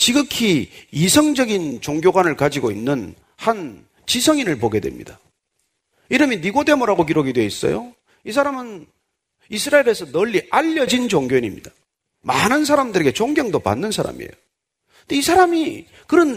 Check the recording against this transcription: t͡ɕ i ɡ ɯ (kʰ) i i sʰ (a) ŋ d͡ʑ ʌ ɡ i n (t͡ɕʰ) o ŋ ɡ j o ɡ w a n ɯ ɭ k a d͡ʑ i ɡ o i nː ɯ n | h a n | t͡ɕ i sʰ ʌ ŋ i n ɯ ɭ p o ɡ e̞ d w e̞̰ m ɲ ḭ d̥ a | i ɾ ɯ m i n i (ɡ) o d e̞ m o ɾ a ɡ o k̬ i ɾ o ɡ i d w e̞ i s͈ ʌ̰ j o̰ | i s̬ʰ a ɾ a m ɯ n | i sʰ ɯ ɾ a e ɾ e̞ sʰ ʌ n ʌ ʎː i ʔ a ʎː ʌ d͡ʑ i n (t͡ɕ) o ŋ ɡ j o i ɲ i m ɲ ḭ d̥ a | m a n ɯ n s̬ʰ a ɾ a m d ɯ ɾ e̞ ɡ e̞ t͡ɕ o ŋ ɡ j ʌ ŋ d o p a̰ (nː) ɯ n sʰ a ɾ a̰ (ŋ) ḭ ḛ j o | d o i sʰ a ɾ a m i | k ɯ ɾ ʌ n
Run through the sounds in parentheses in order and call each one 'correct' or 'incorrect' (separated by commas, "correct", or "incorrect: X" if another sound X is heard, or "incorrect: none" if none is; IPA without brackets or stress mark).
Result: correct, incorrect: ʌ, incorrect: t͡ɕ, correct, correct, correct, incorrect: m